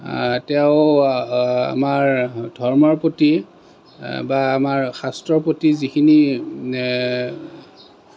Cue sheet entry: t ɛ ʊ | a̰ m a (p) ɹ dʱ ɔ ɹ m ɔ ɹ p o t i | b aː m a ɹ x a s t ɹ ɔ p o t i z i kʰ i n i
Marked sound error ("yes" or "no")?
yes